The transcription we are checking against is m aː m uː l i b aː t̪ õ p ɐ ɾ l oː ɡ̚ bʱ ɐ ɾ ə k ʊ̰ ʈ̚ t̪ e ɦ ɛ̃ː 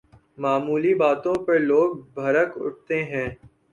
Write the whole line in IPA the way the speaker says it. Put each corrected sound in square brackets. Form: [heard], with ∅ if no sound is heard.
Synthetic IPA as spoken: m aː m uː l i b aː t̪ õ p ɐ ɾ l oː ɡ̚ bʱ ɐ ɾ ə k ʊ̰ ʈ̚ t̪ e ɦ ɛ̃ː

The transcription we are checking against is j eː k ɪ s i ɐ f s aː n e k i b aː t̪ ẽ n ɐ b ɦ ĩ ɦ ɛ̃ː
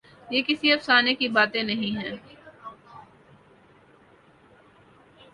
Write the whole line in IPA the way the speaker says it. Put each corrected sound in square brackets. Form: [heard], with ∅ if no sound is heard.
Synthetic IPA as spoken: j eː k ɪ s i ɐ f s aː n e k i b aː t̪ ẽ n ɐ [∅] ɦ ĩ ɦ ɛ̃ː

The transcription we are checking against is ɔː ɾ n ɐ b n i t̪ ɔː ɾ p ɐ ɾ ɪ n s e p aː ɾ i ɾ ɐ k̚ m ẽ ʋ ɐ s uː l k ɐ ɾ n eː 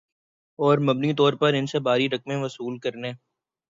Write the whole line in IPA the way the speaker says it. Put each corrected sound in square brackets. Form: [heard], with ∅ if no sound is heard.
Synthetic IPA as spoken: ɔː ɾ [m] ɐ b n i t̪ ɔː ɾ p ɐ ɾ ɪ n s e [b] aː ɾ i ɾ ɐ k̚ m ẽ ʋ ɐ s uː l k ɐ ɾ n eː

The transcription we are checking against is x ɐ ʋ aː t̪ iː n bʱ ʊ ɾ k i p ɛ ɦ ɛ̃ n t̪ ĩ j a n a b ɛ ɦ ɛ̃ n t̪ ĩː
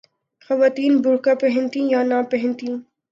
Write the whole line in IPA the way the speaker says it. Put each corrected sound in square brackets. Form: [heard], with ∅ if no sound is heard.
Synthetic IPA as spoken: x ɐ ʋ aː t̪ iː n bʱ ʊ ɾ k [a] p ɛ ɦ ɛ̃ n t̪ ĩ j a n a [p] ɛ ɦ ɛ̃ n t̪ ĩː

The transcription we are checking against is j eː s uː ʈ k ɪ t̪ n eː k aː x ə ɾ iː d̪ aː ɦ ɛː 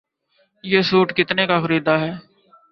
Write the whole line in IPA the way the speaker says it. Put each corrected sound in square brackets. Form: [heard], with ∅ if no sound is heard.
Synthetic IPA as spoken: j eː s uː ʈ k ɪ t̪ n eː k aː x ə ɾ iː d̪ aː ɦ ɛː

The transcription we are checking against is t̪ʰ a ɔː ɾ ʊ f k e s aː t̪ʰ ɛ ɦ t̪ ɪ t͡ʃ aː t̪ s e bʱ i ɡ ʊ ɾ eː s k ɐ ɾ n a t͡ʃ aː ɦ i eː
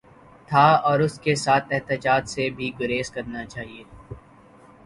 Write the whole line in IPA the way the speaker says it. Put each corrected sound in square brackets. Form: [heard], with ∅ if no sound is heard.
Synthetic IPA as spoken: t̪ʰ a ɔː ɾ ʊ [s] k e s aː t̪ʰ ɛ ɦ t̪ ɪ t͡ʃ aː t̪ s e bʱ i ɡ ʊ ɾ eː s k ɐ ɾ n a t͡ʃ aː ɦ i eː

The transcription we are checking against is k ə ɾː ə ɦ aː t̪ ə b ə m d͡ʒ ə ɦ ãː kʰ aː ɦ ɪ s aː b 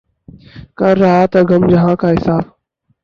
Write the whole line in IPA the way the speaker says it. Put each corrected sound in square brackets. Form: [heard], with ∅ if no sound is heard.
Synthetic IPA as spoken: k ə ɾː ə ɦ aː t̪ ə [ɡ] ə m d͡ʒ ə ɦ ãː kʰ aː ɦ ɪ s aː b

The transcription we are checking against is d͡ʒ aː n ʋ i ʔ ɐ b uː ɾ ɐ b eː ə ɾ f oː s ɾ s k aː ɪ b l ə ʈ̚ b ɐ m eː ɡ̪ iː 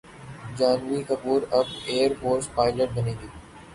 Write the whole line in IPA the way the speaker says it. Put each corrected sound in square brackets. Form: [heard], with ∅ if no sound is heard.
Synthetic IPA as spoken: d͡ʒ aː n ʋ i [k] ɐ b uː ɾ ɐ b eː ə ɾ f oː [∅] ɾ s [p] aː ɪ [∅] l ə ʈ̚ b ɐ [n] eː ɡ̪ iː

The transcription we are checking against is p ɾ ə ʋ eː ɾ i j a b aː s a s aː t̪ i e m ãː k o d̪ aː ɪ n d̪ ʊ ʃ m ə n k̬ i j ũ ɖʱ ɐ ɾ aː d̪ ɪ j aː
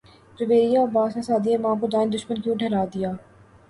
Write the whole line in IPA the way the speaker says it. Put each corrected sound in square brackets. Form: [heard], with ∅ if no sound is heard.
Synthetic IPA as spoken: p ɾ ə ʋ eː ɾ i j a b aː s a s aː [d̪] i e m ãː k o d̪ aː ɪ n d̪ ʊ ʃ m ə n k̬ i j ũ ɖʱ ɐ ɾ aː d̪ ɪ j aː

